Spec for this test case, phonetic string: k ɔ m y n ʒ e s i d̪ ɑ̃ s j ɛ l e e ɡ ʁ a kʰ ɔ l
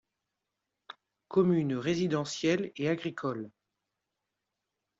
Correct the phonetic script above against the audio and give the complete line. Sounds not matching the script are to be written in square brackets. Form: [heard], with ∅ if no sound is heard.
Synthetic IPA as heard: k ɔ m y n [ʁ] e [z] i d̪ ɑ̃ s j ɛ l e [a] ɡ ʁ [i] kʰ ɔ l